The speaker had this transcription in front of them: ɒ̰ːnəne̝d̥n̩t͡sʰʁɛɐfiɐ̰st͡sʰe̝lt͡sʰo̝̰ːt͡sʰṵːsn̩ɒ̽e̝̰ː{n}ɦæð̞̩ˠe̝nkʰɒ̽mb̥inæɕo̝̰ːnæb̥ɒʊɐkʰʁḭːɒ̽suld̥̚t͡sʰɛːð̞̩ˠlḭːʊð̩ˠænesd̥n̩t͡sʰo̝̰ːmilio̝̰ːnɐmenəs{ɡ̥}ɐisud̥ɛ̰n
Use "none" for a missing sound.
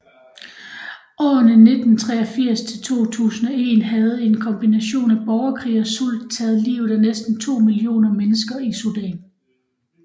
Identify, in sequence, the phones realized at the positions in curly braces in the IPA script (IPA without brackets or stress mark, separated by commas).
n, ɡ̥